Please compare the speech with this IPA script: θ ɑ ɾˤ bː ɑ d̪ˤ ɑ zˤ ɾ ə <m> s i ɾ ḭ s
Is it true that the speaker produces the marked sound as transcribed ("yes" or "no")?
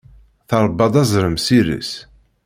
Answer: yes